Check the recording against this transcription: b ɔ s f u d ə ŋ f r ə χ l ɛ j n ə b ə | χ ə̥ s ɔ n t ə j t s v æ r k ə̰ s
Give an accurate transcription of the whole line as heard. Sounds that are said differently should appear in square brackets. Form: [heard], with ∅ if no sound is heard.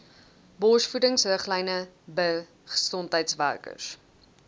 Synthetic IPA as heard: b ɔ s f u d ə ŋ [s] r ə χ l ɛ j n ə b ə | χ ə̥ s ɔ n t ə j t s v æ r k ə̰ s